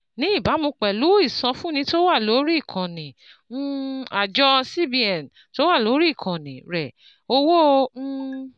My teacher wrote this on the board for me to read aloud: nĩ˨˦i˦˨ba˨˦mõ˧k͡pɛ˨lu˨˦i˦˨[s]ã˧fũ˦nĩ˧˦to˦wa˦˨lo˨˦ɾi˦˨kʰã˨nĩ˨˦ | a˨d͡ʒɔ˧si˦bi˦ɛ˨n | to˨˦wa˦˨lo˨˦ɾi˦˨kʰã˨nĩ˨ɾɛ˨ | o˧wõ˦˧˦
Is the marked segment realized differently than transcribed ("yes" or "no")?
no